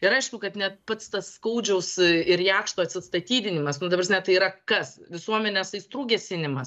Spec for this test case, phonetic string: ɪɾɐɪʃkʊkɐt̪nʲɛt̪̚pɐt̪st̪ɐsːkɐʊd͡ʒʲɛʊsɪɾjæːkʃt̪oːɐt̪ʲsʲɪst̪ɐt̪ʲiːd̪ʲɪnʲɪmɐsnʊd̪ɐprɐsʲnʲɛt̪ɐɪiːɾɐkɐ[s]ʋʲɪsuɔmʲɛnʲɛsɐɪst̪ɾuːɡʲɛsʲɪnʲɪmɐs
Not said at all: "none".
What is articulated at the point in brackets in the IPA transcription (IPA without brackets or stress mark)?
s